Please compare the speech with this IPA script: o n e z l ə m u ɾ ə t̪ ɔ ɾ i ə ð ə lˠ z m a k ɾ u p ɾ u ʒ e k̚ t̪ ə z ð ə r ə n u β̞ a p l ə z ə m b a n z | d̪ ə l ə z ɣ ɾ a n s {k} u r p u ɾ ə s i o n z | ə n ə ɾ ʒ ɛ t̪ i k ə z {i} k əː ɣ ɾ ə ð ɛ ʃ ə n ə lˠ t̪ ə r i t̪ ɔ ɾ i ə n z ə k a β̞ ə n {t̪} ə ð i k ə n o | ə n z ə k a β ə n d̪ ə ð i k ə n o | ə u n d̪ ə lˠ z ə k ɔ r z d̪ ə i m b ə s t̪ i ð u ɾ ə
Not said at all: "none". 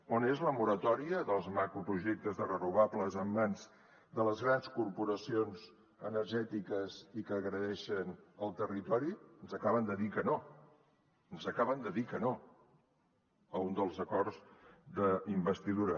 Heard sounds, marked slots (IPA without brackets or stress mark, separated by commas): k, i, d̪